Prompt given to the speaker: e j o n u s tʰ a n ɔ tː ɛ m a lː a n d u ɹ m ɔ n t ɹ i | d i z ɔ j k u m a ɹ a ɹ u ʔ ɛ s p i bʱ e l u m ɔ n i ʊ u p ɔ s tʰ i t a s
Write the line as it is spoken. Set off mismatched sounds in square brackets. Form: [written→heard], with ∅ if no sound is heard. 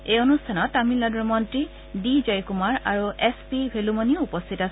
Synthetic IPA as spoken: e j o n u s tʰ a n ɔ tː [ɛ→a] m [a→i] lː a [n→∅] d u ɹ m ɔ n t ɹ i | d i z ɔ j k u m a ɹ a ɹ u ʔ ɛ s p i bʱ e l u m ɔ n i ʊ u p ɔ s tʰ i t a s